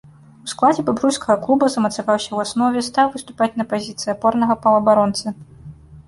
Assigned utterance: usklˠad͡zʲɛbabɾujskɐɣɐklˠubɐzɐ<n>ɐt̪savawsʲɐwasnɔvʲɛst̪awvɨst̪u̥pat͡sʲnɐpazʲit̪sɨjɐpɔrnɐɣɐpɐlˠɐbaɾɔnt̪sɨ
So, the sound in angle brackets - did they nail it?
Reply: no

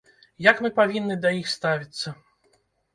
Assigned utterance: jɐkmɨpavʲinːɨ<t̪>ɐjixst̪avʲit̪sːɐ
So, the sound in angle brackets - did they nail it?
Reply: no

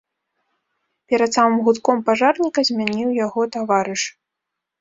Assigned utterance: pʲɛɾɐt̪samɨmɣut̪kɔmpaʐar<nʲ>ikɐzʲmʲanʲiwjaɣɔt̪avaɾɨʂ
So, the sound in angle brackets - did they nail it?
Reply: yes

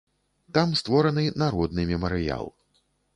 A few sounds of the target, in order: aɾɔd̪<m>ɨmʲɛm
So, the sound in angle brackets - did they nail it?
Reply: no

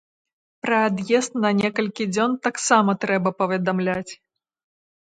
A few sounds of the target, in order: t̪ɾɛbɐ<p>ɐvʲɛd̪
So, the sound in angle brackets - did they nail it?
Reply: yes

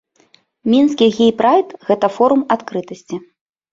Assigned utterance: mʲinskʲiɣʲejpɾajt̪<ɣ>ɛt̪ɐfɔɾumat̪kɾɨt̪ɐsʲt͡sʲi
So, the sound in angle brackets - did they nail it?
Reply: yes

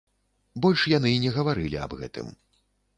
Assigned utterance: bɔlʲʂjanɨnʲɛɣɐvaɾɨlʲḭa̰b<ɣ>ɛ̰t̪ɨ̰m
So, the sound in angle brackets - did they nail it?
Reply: yes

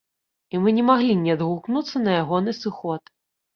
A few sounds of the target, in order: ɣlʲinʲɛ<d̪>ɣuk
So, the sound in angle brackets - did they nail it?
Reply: yes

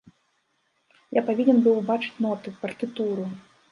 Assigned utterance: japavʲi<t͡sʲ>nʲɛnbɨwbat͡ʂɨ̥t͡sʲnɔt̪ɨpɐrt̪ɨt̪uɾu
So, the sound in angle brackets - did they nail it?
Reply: no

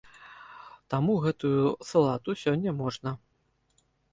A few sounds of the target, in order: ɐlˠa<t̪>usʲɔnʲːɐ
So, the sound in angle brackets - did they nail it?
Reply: yes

